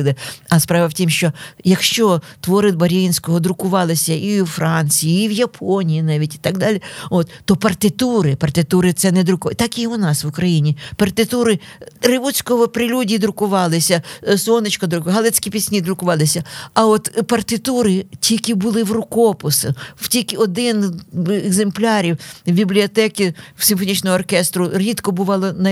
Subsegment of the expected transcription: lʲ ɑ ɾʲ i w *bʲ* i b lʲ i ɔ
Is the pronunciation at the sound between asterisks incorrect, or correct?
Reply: correct